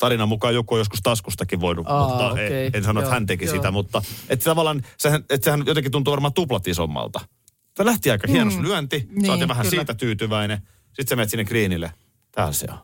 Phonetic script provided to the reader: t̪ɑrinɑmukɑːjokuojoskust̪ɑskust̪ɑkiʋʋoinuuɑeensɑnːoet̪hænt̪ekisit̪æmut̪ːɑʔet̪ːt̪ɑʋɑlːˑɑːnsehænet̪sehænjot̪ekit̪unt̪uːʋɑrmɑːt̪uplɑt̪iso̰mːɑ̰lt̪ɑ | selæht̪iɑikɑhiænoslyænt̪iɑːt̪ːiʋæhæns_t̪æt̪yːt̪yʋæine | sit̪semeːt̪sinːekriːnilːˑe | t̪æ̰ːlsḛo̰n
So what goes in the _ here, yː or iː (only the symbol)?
iː